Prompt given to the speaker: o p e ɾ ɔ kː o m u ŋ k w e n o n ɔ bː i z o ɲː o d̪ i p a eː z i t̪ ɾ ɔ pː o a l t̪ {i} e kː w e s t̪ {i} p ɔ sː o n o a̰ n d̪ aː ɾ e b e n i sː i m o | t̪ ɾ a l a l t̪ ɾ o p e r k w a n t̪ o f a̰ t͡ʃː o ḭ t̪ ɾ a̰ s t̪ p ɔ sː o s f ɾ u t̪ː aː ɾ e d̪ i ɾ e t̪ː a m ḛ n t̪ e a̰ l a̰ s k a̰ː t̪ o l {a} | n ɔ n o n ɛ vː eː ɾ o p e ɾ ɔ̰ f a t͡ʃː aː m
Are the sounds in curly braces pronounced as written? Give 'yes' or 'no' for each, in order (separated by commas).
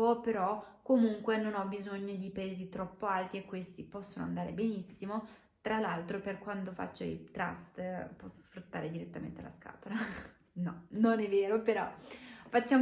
yes, yes, yes